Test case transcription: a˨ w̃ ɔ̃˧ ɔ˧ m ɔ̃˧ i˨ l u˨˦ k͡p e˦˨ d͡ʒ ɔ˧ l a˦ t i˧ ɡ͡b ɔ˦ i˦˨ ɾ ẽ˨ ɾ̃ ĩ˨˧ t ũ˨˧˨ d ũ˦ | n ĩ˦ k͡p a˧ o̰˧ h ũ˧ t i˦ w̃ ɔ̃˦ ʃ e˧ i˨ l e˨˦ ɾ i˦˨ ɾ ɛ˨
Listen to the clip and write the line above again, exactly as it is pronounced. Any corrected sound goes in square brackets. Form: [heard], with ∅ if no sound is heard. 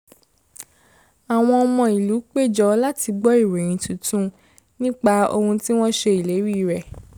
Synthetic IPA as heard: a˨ w̃ ɔ̃˧ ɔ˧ m ɔ̃˧ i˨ l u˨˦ k͡p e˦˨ d͡ʒ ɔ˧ l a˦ t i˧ ɡ͡b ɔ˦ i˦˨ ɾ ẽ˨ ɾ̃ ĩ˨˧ t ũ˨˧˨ [t] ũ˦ | n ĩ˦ k͡p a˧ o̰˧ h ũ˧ t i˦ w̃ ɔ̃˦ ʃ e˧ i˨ l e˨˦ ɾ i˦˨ ɾ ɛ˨